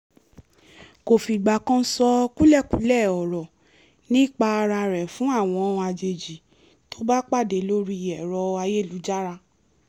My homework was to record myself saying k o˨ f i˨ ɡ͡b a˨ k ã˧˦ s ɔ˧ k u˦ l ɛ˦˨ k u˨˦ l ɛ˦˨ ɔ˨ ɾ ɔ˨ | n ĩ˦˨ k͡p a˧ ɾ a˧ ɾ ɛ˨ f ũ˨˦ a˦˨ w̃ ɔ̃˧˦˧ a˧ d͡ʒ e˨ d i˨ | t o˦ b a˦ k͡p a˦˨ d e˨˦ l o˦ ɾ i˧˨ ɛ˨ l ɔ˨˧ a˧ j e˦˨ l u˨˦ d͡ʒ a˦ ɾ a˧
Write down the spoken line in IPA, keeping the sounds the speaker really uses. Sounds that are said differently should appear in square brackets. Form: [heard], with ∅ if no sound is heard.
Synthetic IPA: k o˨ f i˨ ɡ͡b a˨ k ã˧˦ s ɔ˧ k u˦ l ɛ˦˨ k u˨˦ l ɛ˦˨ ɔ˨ ɾ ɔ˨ | n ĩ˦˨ k͡p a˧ ɾ a˧ ɾ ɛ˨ f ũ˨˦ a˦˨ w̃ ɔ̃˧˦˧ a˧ d͡ʒ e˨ [d͡ʒ] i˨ | t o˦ b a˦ k͡p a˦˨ d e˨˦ l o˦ ɾ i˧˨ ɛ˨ [ɾ] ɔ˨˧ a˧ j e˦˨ l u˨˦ d͡ʒ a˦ ɾ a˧

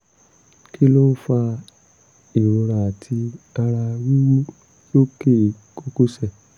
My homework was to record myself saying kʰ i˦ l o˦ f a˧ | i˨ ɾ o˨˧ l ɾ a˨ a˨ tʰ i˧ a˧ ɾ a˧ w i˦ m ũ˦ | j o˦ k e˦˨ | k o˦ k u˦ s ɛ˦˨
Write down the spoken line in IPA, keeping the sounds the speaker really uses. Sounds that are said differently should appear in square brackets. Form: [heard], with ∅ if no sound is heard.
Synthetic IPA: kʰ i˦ l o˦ f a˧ | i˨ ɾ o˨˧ [∅] ɾ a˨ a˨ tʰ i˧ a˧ ɾ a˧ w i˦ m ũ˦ | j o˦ k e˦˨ | k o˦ k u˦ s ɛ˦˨

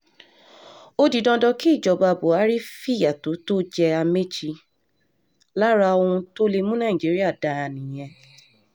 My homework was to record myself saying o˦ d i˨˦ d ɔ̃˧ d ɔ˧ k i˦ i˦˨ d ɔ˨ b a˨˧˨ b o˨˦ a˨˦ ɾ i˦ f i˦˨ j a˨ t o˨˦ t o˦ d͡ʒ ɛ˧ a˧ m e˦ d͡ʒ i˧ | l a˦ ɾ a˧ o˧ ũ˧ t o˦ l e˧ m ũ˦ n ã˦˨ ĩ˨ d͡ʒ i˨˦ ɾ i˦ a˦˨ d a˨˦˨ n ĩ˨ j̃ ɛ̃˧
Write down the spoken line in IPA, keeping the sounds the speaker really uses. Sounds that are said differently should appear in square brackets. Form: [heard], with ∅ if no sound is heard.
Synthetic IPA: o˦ d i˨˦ d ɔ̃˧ d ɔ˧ k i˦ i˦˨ [d͡ʒ] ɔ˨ b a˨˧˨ b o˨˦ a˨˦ ɾ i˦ f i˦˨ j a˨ t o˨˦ t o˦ d͡ʒ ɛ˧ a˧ m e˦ d͡ʒ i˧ | l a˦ ɾ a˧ o˧ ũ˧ t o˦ l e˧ m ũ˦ n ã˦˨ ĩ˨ d͡ʒ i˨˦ ɾ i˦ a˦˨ d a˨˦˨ n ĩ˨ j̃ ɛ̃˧

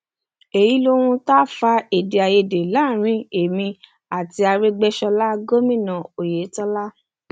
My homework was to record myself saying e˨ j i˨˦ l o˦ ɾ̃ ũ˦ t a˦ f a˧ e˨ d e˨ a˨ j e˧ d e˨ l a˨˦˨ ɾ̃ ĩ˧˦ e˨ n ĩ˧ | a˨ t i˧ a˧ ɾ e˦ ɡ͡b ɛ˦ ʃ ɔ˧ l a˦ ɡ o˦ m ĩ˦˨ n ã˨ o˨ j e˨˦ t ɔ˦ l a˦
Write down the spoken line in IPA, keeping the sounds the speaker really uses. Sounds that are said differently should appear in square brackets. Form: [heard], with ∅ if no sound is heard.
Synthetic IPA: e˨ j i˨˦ l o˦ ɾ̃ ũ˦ t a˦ f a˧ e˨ d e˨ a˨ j e˧ d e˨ l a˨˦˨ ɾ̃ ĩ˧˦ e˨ [m] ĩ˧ | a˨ t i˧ a˧ ɾ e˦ ɡ͡b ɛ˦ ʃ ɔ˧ l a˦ ɡ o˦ m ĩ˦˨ n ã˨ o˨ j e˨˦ t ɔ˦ l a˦

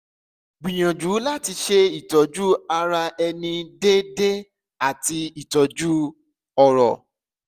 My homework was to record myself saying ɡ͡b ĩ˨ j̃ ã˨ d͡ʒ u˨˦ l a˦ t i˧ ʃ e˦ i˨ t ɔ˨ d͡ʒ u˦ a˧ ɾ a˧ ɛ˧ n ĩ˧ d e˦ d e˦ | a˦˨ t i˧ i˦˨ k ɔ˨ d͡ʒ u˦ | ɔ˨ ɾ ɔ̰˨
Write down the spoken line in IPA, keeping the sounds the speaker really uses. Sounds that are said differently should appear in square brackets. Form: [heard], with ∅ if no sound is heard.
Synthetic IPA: ɡ͡b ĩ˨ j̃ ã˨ d͡ʒ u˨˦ l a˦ t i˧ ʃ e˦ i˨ t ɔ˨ d͡ʒ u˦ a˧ ɾ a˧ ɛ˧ n ĩ˧ d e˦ d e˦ | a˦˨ t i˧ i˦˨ [t] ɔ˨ d͡ʒ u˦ | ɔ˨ ɾ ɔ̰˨

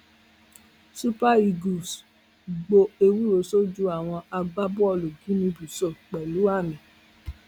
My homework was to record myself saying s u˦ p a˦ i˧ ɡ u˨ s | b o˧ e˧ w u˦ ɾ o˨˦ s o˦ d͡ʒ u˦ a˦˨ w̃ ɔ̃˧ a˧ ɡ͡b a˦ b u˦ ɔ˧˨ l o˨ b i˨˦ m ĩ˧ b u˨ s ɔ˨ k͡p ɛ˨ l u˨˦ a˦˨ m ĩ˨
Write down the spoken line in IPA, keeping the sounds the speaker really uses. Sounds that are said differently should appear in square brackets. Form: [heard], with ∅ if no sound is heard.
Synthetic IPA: s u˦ p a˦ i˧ ɡ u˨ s | [ɡ͡b] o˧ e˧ w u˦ ɾ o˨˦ s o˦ d͡ʒ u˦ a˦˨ w̃ ɔ̃˧ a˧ ɡ͡b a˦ b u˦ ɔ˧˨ l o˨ [ɡ] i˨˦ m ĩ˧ b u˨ s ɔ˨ k͡p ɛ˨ l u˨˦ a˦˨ m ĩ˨

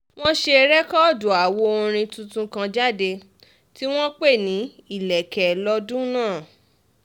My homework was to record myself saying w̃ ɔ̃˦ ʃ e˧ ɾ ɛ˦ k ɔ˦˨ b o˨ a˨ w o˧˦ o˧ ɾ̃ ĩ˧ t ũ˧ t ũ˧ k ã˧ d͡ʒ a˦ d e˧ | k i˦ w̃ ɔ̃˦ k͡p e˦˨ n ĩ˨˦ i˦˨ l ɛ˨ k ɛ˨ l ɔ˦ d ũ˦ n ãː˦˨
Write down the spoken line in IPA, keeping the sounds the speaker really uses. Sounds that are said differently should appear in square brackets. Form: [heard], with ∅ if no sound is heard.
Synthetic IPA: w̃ ɔ̃˦ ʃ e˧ ɾ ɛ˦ k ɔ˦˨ [d] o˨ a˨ w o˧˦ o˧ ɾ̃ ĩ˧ t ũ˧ t ũ˧ k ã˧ d͡ʒ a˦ d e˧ | [t] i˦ w̃ ɔ̃˦ k͡p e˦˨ n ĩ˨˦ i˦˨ l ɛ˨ k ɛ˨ l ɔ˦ d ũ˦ n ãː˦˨

